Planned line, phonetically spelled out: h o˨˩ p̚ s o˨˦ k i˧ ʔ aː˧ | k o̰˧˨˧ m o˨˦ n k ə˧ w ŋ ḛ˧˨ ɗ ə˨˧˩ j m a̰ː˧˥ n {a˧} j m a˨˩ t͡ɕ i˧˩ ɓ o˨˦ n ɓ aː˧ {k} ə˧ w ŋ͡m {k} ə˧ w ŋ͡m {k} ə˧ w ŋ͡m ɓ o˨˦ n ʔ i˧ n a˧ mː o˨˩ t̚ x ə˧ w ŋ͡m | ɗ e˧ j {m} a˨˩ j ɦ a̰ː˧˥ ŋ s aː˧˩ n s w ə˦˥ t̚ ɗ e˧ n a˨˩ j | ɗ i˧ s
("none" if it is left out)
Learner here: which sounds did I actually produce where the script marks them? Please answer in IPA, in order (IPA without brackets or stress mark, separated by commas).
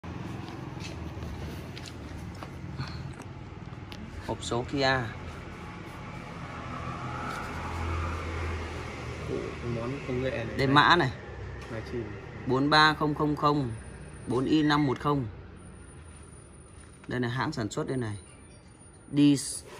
a˨˩, x, x, x, n